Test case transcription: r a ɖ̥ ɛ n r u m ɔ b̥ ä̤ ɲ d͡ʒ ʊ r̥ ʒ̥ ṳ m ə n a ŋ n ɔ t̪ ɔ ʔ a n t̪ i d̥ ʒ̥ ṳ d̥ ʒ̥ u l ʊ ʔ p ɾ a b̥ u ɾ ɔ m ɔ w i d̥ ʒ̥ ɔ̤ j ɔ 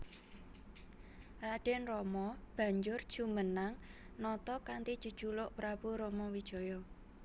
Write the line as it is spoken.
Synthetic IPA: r a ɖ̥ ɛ n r ɔ m ɔ b̥ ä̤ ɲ d͡ʒ ʊ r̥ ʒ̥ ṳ m ə n a ŋ n ɔ t̪ ɔ k a n t̪ i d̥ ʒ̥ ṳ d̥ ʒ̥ u l ʊ ʔ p ɾ a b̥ u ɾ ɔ m ɔ w i d̥ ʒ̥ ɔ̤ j ɔ